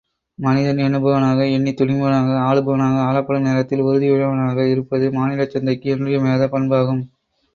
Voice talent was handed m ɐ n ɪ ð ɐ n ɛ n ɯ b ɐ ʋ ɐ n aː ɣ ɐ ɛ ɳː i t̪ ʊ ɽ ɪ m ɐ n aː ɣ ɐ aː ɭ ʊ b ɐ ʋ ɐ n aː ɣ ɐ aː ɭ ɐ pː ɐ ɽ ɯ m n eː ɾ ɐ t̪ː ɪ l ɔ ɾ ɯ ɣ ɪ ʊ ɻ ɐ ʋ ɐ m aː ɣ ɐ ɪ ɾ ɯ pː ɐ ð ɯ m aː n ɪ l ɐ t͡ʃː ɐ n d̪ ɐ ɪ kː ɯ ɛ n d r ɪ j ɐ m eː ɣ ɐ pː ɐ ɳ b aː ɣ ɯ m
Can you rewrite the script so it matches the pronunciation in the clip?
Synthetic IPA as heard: m ɐ n ɪ ð ɐ n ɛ n ɯ b ɐ ʋ ɐ n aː ɣ ɐ ɛ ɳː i t̪ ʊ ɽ ɪ m ɐ n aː ɣ ɐ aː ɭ ɯ b ɐ ʋ ɐ n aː ɣ ɐ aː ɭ ɐ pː ɐ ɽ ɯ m n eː ɾ ɐ t̪ː ɪ l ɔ ɾ ɯ ð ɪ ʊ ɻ ɐ ʋ ɐ n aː ɣ ɐ ɪ ɾ ɯ pː ɐ ð ɯ m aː n ɪ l ɐ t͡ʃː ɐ n d̪ ɐ ɪ kː ɯ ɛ n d r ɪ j ɐ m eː ð ɐ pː ɐ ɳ b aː ɣ ɯ m